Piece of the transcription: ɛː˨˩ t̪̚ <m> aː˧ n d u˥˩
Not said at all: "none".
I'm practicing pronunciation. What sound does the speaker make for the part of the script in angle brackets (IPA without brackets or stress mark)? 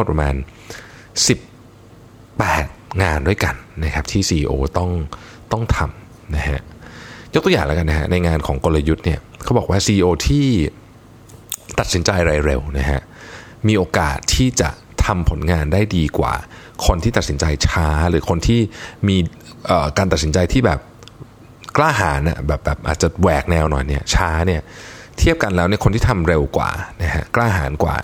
ŋ